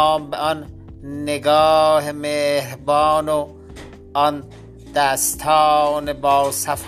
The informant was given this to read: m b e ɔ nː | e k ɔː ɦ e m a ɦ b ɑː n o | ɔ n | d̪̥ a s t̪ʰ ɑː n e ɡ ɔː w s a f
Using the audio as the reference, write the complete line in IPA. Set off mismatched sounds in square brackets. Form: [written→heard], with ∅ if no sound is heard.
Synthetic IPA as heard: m b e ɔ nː | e [k→ɡ] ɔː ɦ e m [a→e] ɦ b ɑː n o | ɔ n | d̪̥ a s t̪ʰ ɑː n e [ɡ→b] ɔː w s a f